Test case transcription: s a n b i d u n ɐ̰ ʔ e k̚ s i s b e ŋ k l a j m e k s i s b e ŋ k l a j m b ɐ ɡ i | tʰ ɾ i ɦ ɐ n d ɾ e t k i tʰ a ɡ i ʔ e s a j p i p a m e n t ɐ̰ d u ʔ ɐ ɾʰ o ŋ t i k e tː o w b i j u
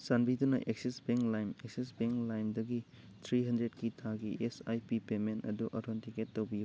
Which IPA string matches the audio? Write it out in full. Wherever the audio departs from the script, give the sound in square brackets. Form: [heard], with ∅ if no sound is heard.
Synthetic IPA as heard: s a n b i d u n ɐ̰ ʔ e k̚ s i s b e ŋ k l a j m e k s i s b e ŋ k l a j m [d] ɐ ɡ i | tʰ ɾ i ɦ ɐ n d ɾ e t k i tʰ a ɡ i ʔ e s a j p i p [e] m e n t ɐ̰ d u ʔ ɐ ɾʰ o [n] t i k e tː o w b i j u